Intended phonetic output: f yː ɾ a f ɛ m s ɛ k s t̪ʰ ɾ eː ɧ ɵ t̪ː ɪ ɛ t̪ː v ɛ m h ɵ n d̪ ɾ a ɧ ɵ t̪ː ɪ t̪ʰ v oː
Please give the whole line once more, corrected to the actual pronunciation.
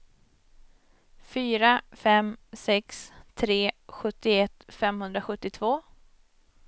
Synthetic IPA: f yː ɾ a f ɛ m s ɛ k s t̪ʰ ɾ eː ɧ ɵ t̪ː ɪ ɛ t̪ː f ɛ m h ɵ n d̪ ɾ a ɧ ɵ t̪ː ɪ t̪ʰ v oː